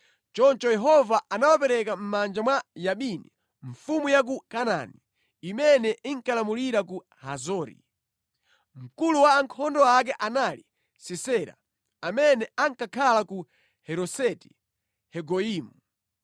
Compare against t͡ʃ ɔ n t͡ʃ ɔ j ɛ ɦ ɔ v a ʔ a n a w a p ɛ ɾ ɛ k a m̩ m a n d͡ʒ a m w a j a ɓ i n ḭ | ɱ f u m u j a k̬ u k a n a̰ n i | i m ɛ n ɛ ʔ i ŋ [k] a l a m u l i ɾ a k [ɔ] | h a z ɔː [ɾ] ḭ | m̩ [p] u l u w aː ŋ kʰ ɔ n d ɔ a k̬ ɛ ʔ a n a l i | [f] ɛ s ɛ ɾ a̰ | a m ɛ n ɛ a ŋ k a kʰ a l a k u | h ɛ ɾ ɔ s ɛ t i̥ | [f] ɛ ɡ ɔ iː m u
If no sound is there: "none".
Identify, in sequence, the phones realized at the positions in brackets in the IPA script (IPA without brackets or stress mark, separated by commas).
k, u, ɾ, k, s, h